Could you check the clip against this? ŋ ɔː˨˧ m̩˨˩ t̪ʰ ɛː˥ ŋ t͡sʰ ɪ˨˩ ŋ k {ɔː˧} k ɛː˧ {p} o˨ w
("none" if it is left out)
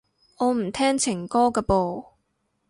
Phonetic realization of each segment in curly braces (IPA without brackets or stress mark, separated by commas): ɔː˥, p